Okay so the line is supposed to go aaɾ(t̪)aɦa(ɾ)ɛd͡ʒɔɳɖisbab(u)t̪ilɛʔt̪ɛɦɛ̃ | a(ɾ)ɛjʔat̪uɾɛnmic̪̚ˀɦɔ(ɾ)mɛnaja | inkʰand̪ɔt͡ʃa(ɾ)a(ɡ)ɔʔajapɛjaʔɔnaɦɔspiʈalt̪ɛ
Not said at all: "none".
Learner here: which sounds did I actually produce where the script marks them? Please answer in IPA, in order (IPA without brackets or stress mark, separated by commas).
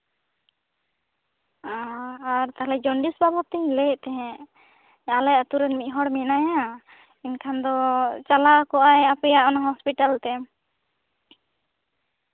t̪, l, ɔ, l, ɽ, l, k